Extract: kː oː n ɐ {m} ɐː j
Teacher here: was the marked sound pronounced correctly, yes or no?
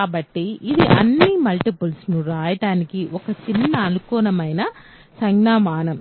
yes